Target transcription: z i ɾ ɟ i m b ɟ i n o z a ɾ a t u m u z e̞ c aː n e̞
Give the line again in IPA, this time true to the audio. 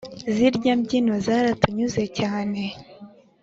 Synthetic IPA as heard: z i ɾ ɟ a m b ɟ i n o z a ɾ a t u ɲ u z e̞ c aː n e̞